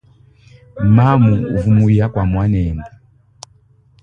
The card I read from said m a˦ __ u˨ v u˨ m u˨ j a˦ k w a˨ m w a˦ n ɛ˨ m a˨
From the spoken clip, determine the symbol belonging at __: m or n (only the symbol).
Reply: m